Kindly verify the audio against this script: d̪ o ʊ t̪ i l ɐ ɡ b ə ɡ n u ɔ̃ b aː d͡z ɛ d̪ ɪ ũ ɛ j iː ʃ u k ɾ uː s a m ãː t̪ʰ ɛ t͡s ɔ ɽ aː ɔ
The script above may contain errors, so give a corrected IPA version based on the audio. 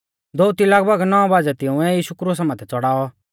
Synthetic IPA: d̪ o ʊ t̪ i l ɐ ɡ b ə ɡ n ɔ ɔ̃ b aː d͡z ɛ t̪ ɪ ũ ɛ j iː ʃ u k ɾ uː s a m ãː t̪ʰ ɛ t͡s ɔ ɽ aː ɔ

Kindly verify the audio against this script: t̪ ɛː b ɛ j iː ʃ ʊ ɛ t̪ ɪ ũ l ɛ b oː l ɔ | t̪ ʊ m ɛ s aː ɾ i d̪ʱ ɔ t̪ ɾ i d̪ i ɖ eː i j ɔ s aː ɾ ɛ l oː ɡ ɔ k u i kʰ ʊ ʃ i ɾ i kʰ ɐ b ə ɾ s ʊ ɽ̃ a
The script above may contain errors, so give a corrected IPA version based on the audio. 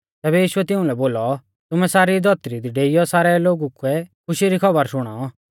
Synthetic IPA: t̪ ɛː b ɛ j iː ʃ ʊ ɛ t̪ ɪ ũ l ɛ b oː l ɔ | t̪ ʊ m ɛ s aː ɾ i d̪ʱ ɔ t̪ ɾ i d̪ i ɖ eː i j ɔ s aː ɾ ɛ l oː ɡ u k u ɛ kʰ ʊ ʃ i ɾ i kʰ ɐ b ə ɾ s ʊ ɽ̃ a

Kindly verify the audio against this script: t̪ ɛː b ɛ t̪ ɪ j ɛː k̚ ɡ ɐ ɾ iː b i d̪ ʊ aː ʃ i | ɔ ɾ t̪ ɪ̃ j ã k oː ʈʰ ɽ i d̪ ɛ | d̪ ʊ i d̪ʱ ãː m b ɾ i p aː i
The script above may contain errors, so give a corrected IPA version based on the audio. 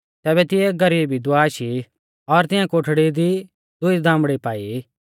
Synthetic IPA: t̪ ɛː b ɛ t̪ ɪ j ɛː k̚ ɡ ɐ ɾ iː b i d̪ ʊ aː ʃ i | ɔ ɾ t̪ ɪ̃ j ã k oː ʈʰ ɽ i d̪ i | d̪ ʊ i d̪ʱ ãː m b ɽ i p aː i

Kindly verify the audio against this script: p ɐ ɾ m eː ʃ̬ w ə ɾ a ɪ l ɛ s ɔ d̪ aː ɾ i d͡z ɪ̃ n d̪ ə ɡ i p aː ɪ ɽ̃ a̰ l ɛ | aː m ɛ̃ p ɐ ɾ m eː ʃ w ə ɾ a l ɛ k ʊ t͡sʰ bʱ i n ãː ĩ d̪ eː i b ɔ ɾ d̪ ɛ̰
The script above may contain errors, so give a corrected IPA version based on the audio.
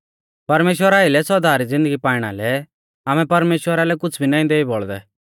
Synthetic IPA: p ɐ ɾ m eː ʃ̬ w ə ɾ a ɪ l ɛ s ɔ d̪ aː ɾ i d͡z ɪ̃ n d̪ ə ɡ i p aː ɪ ɽ̃ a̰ l ɛ | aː m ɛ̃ p ɐ ɾ m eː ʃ w ə ɾ a l ɛ k ʊ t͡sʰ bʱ i n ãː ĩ d̪ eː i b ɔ ɭ d̪ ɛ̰

